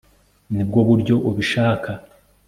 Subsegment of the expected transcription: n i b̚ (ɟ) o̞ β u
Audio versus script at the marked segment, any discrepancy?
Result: yes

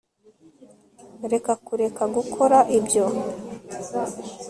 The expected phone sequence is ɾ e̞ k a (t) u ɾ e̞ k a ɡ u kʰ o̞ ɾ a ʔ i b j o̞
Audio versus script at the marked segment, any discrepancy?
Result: yes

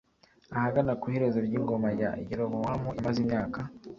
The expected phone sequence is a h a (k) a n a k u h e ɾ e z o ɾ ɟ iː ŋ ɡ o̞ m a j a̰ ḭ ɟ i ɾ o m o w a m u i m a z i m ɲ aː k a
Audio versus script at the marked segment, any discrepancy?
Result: yes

